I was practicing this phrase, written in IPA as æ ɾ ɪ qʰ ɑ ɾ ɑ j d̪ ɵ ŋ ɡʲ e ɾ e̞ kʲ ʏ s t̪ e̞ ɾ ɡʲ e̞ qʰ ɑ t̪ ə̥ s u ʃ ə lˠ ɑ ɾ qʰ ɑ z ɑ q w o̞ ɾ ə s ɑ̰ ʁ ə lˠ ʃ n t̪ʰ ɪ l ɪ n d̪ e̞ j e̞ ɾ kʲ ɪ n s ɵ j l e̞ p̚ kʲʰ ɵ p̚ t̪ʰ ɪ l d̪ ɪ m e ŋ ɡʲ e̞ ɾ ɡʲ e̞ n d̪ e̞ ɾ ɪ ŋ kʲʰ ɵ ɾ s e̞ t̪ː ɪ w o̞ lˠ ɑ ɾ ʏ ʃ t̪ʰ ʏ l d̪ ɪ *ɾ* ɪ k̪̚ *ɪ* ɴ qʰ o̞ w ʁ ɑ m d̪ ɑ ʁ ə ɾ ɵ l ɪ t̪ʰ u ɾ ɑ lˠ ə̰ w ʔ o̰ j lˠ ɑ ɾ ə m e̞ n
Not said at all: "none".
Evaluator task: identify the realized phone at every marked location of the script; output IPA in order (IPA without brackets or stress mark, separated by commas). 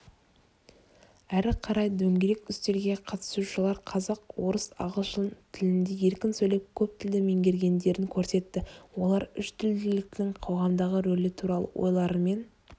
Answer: l, ɪ